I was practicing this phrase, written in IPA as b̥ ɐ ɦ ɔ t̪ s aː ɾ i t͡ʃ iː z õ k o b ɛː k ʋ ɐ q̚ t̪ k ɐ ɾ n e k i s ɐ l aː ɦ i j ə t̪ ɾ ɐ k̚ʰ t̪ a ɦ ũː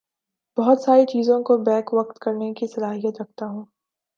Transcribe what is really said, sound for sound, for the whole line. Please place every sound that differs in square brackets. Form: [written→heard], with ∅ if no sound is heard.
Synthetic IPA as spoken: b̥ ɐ ɦ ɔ t̪ s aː ɾ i t͡ʃ iː z õ k o b ɛː k ʋ ɐ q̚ t̪ k ɐ ɾ n e k i s ɐ l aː ɦ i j ə t̪ ɾ ɐ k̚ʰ t̪ a ɦ ũː